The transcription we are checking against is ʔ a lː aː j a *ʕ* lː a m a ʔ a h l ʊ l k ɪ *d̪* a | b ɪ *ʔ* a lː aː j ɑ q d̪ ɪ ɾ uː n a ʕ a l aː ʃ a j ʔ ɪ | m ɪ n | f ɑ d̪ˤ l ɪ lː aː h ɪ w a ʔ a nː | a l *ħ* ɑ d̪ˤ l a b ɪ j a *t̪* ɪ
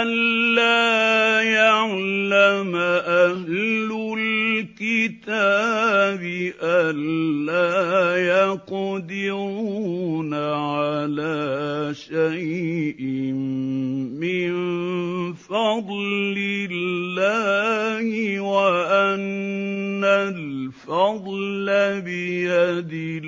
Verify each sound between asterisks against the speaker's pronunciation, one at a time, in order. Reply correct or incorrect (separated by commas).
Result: correct, incorrect, correct, incorrect, incorrect